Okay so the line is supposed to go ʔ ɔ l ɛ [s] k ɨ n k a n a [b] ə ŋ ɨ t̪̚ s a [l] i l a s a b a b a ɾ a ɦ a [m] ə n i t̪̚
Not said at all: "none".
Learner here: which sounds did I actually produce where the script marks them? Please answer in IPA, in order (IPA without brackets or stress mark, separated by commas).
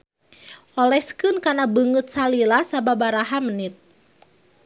s, b, l, m